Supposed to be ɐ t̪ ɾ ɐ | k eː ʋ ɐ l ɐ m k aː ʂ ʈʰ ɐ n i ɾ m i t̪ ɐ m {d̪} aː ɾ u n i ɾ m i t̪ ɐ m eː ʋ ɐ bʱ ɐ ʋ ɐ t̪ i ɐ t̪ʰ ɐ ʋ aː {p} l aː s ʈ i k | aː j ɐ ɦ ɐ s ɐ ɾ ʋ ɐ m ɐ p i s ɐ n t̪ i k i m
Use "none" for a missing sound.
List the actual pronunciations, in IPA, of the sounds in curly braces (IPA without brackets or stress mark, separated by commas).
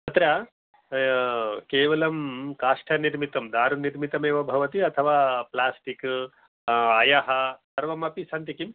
d̪, p